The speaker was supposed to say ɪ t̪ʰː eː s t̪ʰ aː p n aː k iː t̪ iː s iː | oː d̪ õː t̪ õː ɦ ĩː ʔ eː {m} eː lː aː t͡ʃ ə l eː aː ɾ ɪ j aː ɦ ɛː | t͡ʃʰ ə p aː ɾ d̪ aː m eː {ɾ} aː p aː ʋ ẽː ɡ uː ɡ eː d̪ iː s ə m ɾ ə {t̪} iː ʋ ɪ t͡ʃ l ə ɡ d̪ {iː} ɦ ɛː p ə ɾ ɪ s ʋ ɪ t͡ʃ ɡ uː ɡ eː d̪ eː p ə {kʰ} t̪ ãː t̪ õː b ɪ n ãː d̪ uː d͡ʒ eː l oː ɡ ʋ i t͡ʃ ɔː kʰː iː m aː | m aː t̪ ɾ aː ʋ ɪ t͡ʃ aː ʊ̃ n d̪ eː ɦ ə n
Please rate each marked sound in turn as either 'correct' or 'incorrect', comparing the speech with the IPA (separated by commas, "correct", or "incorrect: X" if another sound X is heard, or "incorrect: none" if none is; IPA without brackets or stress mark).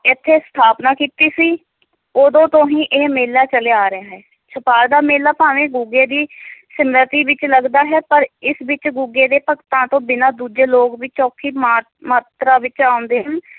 correct, incorrect: l, correct, incorrect: aː, incorrect: k